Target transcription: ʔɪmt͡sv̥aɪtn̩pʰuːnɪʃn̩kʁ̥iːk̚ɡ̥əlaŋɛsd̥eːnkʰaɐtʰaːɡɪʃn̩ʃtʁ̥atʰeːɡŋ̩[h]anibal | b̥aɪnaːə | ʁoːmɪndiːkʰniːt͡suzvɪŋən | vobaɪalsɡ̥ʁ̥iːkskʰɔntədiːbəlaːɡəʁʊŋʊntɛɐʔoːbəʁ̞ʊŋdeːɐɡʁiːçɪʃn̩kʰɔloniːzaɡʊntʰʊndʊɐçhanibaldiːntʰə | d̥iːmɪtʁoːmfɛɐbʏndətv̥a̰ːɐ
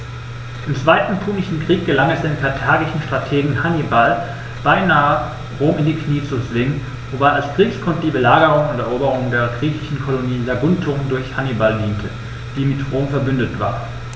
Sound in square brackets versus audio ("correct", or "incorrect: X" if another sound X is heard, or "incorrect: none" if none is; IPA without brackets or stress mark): correct